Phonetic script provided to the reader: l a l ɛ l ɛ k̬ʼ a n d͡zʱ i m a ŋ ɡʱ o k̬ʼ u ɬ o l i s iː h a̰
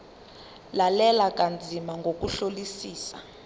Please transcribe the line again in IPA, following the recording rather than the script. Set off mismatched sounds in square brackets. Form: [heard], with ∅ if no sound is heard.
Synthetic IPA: l a l ɛ l [a] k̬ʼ a n d͡zʱ i m a ŋ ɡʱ o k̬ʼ u ɬ o l i s iː [s] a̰